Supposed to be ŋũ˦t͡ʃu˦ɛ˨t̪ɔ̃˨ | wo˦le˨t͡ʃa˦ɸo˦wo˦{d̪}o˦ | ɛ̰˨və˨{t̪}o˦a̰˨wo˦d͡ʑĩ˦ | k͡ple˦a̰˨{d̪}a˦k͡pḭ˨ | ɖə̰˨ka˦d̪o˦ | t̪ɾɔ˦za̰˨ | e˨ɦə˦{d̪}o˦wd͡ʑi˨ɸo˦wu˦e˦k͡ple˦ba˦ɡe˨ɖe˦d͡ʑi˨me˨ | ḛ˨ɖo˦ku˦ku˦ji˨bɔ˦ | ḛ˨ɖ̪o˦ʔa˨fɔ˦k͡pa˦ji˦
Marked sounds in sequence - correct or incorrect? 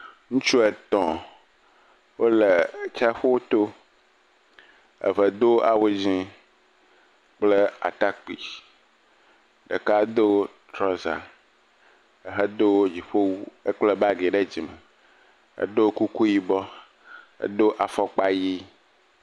incorrect, incorrect, incorrect, correct

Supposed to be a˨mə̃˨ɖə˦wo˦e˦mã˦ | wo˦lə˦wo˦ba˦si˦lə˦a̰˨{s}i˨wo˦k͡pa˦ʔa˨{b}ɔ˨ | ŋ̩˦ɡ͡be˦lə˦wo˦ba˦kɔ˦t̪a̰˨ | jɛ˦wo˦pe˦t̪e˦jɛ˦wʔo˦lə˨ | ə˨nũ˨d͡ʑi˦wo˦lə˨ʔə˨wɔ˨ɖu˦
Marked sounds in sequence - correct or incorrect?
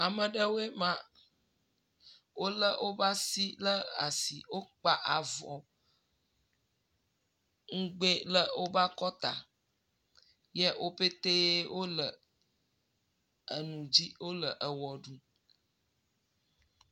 correct, incorrect

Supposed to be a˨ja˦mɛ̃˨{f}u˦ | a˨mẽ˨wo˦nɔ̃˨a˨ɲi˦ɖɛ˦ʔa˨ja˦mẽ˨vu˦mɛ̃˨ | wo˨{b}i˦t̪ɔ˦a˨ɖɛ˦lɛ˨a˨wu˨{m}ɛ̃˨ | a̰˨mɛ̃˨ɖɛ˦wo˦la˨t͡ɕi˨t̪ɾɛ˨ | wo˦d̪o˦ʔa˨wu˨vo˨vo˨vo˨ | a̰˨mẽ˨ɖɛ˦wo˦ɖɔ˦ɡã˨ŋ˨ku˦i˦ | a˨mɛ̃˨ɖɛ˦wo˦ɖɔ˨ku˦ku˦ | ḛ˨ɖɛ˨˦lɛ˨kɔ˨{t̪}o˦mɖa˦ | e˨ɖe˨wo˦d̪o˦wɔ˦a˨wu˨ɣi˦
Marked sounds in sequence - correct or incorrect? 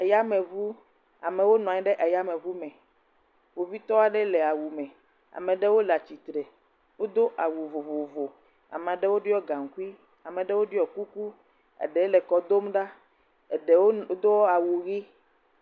incorrect, incorrect, correct, incorrect

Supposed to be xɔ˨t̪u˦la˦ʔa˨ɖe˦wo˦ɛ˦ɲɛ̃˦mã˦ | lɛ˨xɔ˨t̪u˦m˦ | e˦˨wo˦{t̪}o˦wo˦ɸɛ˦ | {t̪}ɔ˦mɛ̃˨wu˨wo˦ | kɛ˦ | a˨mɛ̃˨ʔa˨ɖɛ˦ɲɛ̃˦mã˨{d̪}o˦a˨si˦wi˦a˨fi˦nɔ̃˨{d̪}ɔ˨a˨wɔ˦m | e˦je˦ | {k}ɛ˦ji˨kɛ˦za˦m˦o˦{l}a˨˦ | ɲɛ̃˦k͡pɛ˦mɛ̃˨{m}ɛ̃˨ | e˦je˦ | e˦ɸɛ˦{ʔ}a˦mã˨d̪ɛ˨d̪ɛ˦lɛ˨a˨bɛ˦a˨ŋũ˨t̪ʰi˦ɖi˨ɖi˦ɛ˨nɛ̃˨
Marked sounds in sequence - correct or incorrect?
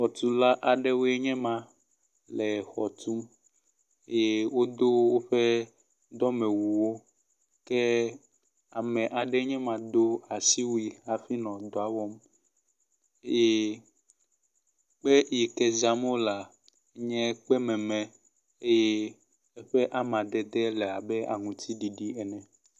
incorrect, incorrect, correct, correct, incorrect, correct, correct, correct

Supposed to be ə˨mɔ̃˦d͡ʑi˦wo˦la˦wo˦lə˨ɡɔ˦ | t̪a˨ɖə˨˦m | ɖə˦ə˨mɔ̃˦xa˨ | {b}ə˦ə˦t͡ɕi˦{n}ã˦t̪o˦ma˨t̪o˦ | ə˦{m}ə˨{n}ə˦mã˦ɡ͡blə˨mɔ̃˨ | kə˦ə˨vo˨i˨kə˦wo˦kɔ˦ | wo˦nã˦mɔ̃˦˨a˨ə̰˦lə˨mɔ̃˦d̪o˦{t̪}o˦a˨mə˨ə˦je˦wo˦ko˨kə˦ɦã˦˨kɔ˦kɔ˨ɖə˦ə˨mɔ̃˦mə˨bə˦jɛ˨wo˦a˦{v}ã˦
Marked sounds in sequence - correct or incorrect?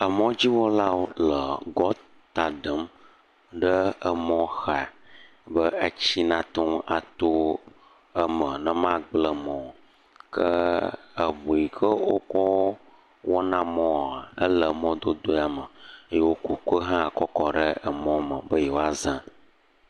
correct, correct, correct, correct, incorrect, incorrect

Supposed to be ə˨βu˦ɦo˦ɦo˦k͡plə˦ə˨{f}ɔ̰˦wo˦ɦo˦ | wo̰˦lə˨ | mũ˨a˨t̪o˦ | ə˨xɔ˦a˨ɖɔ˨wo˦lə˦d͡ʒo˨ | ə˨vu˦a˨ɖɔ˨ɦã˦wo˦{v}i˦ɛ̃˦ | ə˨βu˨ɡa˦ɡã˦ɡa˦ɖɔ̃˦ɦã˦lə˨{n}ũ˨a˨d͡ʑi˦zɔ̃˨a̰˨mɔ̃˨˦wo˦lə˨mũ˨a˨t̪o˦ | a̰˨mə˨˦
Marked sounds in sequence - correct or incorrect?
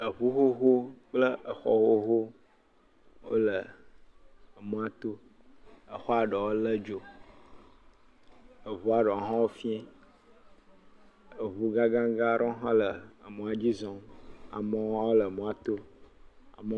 incorrect, incorrect, incorrect

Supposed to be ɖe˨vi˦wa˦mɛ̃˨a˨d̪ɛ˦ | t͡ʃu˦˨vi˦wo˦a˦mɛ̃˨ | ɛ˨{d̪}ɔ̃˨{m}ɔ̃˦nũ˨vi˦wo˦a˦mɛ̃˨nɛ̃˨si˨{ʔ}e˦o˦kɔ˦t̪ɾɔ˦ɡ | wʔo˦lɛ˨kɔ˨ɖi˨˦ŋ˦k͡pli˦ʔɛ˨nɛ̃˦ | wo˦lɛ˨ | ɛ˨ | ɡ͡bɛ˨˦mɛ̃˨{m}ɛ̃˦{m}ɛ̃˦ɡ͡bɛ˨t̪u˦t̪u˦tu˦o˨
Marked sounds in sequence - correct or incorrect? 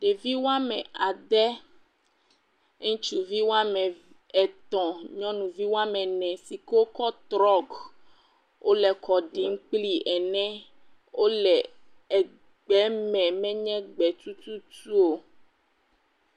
incorrect, incorrect, incorrect, correct, incorrect

